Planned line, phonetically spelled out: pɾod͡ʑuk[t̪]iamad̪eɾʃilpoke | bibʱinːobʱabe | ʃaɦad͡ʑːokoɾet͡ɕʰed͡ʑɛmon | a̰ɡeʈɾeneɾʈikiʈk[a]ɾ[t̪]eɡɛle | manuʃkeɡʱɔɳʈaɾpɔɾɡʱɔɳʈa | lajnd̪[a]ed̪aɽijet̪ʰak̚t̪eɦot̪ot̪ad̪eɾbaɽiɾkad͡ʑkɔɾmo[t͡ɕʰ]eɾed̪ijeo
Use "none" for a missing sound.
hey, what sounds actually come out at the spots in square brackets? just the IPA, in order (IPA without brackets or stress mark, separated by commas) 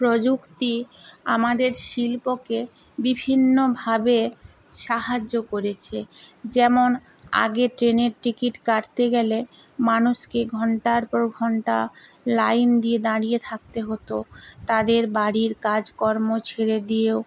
t̪, a, t̪, i, t͡ɕʰ